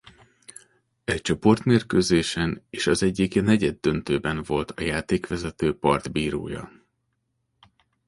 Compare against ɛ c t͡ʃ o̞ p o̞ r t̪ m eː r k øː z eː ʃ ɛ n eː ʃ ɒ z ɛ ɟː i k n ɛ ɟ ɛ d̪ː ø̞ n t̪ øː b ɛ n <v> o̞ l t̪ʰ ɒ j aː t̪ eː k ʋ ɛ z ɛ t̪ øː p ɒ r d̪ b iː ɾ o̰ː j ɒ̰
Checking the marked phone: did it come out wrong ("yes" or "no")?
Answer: no